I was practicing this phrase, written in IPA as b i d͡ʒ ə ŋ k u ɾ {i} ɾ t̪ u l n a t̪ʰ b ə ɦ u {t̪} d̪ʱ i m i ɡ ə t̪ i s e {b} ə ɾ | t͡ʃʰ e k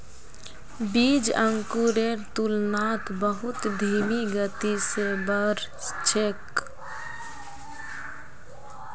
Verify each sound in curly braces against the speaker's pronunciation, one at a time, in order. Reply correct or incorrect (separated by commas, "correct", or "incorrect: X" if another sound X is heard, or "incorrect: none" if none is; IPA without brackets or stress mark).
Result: incorrect: e, correct, correct